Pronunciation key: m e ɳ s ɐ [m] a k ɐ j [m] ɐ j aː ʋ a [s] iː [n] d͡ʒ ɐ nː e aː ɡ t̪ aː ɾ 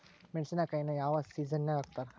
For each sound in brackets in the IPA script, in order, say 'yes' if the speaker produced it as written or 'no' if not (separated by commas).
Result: no, no, yes, no